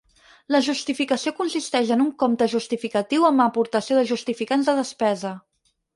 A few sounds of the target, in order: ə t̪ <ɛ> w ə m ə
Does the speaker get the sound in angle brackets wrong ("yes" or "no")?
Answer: yes